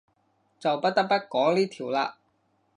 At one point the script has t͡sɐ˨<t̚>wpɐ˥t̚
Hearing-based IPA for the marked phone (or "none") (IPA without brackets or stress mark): none